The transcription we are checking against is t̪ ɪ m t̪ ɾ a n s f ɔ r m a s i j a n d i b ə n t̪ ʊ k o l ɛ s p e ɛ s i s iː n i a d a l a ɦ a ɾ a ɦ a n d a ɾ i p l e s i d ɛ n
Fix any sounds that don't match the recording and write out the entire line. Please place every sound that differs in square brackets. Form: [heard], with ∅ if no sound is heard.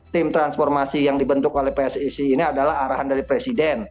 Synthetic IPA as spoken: t̪ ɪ m t̪ ɾ a n s f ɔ r m a s i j a [ŋ] d i b ə n t̪ ʊ k o l ɛ [h] p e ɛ s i s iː n i a d a l a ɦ a ɾ a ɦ a n d a ɾ i p [ɾ] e s i d ɛ n